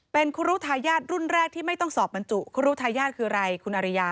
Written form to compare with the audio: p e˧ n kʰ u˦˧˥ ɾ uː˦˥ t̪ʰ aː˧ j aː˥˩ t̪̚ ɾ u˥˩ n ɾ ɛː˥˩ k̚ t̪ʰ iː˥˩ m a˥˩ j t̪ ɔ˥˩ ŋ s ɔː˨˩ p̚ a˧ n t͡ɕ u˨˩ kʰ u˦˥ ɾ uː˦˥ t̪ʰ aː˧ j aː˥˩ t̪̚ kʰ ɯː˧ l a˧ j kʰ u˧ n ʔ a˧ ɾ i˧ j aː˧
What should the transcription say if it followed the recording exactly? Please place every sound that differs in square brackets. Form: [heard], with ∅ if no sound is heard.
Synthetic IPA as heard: p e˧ n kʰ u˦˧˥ ɾ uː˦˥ t̪ʰ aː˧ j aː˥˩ t̪̚ ɾ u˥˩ n ɾ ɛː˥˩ k̚ t̪ʰ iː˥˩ m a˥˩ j t̪ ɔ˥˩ ŋ s ɔː˨˩ p̚ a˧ n t͡ɕ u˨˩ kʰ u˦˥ ɾ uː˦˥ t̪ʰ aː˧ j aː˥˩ t̪̚ kʰ ɯː˧ [ɾ] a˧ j kʰ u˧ n ʔ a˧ ɾ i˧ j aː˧